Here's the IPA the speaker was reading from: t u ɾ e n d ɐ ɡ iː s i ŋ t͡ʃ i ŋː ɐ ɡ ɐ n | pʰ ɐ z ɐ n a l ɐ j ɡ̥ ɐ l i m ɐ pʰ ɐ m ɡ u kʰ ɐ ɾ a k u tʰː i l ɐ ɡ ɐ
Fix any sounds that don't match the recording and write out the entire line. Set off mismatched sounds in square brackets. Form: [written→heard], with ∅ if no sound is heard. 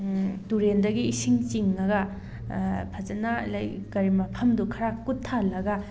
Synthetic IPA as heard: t u ɾ e n d ɐ ɡ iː s i ŋ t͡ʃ i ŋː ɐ ɡ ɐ [n→∅] | pʰ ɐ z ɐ n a l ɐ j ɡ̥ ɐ [l→ɾ] i m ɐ pʰ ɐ m [ɡ→d] u kʰ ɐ ɾ a k u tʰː [i→a] l ɐ ɡ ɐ

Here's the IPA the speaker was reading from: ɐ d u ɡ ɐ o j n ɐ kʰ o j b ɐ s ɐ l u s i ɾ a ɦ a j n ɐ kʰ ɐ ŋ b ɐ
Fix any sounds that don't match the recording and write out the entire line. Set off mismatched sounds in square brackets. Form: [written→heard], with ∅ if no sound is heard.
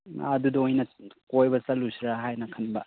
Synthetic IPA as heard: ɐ d u [ɡ→d] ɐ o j n ɐ [kʰ→k] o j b ɐ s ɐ l u s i ɾ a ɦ a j n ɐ kʰ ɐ [ŋ→n] b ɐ

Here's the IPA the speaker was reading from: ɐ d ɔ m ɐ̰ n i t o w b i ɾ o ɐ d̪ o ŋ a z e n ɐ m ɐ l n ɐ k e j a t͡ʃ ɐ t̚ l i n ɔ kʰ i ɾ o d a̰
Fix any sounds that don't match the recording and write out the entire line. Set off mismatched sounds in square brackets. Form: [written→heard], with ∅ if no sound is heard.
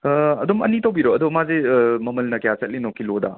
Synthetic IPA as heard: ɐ d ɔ m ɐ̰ n i t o w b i ɾ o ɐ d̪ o [ŋ→m] a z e [n→m] ɐ m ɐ l n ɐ k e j a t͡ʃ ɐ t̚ l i n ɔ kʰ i [ɾ→l] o d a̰

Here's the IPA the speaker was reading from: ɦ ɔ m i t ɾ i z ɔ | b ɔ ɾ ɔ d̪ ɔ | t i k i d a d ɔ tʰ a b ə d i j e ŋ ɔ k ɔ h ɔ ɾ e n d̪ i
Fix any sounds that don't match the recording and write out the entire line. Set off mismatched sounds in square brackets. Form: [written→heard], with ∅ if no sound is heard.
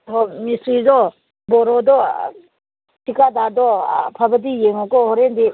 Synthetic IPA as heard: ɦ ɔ m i [t→s] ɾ i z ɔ | b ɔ ɾ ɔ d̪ ɔ | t i k [i→a] d a d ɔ [tʰ→pʰ] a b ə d i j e ŋ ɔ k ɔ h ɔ ɾ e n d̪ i

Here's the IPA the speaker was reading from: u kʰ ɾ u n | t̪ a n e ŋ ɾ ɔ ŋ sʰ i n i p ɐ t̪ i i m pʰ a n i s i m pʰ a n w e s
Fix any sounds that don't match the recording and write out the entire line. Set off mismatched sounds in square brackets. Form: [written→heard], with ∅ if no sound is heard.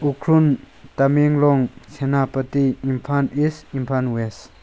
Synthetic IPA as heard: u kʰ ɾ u n | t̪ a [n→m] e ŋ [ɾ→l] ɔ ŋ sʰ [i→e] n [i→a] p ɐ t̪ i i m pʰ a n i s i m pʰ a n w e s

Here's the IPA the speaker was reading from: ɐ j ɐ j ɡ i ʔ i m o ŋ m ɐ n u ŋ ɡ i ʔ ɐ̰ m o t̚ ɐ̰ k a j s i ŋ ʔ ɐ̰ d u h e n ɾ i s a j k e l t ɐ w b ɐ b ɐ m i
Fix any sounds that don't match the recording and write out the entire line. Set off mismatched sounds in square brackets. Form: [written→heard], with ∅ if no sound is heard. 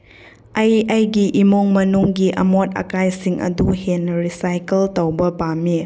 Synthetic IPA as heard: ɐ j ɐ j ɡ i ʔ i m o ŋ m ɐ n u ŋ ɡ i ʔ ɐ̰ m o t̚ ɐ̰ k a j s i ŋ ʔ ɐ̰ d u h e n ɾ i s a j k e l t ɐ w b ɐ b [ɐ→a] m i

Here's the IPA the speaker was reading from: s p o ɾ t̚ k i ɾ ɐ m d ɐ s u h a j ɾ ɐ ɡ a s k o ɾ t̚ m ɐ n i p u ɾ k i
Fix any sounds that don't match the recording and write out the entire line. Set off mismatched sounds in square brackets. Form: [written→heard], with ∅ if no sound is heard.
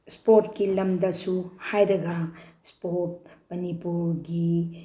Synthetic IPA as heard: s p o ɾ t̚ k i [ɾ→l] ɐ m d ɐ s u h a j ɾ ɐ ɡ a s [k→p] o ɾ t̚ m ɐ n i p u ɾ [k→ɡ] i

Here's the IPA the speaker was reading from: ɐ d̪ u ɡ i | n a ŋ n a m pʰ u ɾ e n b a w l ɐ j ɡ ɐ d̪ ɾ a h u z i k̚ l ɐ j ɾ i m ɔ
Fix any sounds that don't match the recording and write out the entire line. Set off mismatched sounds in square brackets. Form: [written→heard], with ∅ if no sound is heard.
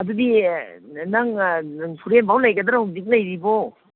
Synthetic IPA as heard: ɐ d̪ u [ɡ→d] i | n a ŋ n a [m→ŋ] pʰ u ɾ e n b a w l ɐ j ɡ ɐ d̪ ɾ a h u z i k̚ l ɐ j ɾ i [m→b] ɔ

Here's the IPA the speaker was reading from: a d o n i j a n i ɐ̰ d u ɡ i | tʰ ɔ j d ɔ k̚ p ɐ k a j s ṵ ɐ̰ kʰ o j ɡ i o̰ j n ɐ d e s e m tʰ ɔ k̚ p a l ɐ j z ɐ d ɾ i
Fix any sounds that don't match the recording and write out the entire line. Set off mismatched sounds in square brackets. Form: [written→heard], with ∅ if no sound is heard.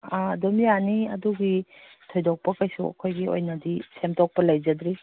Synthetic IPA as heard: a d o [n→m] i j a n i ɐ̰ d u ɡ i | tʰ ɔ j d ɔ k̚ p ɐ k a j s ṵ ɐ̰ kʰ o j ɡ i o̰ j n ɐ d [e→i] s e m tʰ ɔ k̚ p [a→ɐ] l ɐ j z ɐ d ɾ i

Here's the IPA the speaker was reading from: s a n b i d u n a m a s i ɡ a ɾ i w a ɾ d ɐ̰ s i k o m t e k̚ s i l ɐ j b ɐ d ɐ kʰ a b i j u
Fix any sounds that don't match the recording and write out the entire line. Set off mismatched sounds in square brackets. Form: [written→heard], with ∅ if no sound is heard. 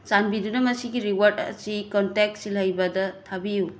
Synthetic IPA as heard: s a n b i d u n [a→ɐ] m [a→ɐ] s i ɡ [a→i] ɾ i w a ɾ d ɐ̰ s i k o [m→n] t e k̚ s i l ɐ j b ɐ d ɐ [kʰ→tʰ] a b i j u

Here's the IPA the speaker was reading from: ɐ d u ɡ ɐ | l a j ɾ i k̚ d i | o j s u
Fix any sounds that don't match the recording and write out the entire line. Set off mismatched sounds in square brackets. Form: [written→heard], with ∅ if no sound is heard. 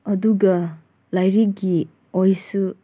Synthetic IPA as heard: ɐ d u ɡ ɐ | l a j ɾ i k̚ [d→ɡ] i | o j s u

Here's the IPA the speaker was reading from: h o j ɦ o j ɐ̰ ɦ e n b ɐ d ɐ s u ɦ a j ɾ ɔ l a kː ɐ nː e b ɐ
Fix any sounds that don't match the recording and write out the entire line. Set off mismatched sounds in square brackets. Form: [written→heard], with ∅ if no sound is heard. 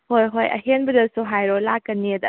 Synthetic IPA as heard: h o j ɦ o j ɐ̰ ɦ e n b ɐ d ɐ s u ɦ a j ɾ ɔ l a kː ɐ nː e [b→d] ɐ

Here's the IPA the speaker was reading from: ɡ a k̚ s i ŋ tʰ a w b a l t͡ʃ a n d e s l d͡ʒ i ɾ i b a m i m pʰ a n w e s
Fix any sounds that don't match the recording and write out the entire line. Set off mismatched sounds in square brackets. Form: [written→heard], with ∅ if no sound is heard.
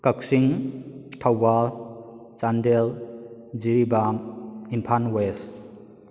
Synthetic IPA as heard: [ɡ→k] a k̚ s i ŋ tʰ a w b a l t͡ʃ a n d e [s→∅] l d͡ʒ i ɾ i b a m i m pʰ a n w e s

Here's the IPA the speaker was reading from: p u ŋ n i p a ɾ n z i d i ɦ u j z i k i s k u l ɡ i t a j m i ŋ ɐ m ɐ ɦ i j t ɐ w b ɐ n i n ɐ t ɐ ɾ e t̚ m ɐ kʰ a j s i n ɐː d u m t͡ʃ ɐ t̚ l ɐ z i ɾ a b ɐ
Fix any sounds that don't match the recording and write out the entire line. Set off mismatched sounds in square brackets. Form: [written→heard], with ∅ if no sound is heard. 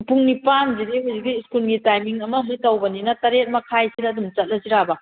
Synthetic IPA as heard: p u ŋ n i p a [ɾ→∅] n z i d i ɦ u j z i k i s k u l ɡ i t a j m i ŋ ɐ m ɐ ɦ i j t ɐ w b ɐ n i n ɐ t ɐ ɾ e t̚ m ɐ kʰ a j s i [n→d] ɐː d u m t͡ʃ ɐ t̚ l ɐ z i ɾ a b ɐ

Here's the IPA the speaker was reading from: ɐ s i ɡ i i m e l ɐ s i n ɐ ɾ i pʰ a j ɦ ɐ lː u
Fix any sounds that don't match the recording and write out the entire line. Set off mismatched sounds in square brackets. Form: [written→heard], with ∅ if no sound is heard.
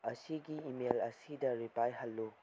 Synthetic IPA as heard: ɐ s i ɡ i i m e l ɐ s i [n→d] ɐ ɾ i [pʰ→p] a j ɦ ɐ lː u

